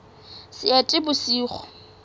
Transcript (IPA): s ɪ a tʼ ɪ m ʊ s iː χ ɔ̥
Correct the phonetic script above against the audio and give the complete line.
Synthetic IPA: s ɪ a tʼ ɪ b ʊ s iː χ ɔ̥